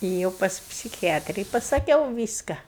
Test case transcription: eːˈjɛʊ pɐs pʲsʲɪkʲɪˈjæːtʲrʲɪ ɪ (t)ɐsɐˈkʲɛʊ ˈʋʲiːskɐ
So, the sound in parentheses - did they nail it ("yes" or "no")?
no